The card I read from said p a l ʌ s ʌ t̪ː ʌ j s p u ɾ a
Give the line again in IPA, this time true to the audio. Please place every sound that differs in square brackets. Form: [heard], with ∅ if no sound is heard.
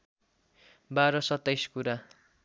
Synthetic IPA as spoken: [b] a [ɾ] ʌ s ʌ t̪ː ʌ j s [k] u ɾ a